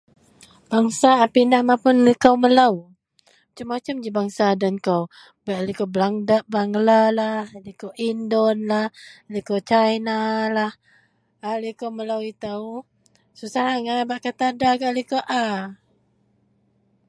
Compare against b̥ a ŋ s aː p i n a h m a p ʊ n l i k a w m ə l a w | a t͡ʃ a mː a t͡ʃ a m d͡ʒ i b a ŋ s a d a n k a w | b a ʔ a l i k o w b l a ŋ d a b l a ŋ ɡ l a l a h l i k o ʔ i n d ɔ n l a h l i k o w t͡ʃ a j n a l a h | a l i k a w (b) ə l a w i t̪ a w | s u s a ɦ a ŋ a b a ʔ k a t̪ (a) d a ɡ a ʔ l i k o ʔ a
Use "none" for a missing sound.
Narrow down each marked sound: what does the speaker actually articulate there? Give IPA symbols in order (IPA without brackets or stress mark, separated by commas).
m, a